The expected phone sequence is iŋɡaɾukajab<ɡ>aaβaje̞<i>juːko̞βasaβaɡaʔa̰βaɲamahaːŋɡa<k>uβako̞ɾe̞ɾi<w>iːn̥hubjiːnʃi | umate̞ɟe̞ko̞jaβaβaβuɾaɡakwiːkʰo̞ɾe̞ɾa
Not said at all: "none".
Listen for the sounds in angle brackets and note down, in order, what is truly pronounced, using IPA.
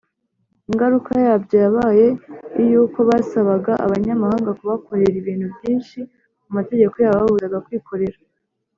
ɟ, i, k, β

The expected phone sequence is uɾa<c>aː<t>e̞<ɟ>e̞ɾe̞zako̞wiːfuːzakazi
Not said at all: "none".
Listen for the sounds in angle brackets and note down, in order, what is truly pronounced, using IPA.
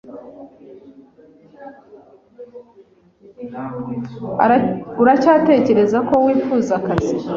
c, t, c

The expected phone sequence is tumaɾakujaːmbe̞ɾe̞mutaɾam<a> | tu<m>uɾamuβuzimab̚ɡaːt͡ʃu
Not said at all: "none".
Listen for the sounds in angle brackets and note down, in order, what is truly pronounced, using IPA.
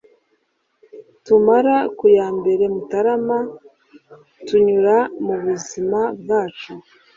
a, ɲ

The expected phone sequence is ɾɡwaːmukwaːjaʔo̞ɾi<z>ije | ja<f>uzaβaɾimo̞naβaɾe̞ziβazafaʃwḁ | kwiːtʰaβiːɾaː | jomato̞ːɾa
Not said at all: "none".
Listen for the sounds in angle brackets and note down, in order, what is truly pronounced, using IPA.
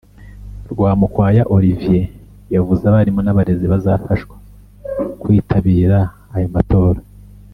v, v

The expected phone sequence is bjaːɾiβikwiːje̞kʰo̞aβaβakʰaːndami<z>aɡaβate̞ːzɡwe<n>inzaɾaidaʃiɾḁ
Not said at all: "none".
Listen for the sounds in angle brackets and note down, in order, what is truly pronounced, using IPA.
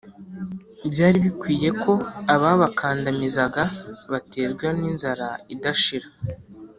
z, n

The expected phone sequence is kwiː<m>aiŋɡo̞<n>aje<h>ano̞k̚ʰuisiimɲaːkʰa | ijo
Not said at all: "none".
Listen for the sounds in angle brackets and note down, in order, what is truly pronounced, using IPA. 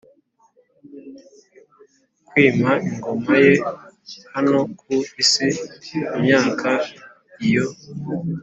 m, m, h

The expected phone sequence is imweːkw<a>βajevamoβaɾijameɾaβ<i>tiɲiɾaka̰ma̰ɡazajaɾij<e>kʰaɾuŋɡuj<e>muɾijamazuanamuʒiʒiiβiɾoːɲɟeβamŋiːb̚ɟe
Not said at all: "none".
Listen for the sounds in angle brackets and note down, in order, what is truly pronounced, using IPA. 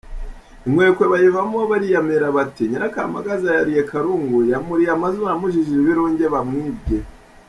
e, a, e, a

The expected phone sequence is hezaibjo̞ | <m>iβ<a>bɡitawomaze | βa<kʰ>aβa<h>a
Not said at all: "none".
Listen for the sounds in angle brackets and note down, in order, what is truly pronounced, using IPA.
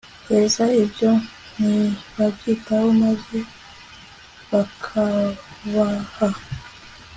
n, a, kʰ, h

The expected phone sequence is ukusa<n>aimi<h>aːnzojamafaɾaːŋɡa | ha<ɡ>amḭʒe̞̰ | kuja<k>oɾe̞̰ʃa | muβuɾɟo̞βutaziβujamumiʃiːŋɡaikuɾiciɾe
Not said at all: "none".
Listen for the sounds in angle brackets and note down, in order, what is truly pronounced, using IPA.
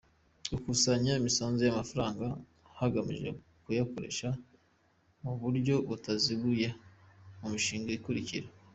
ɲ, s, ɡ, k

